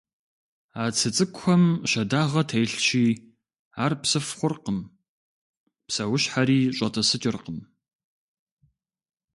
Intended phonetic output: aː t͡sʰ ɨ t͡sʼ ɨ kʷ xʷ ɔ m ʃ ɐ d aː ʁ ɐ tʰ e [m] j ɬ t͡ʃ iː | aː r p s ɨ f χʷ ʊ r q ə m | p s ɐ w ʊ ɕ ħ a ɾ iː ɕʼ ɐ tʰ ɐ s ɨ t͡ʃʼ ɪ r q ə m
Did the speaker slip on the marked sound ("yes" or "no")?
yes